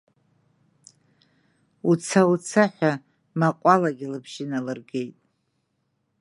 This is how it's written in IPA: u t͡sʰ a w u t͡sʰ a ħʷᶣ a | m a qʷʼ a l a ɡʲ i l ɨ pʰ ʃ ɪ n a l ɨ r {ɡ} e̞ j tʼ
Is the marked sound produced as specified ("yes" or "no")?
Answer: yes